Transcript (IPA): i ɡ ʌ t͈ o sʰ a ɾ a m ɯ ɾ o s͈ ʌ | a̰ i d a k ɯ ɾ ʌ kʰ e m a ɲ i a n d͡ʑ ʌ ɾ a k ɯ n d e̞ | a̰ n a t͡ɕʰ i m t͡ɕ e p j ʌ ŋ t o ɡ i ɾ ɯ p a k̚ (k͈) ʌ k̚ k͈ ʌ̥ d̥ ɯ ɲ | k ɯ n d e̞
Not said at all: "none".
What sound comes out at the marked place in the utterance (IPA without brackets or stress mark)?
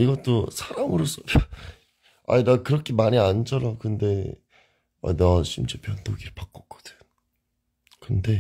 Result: k͈